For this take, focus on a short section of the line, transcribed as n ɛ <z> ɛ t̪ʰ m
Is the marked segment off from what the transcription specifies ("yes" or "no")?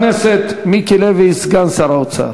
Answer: yes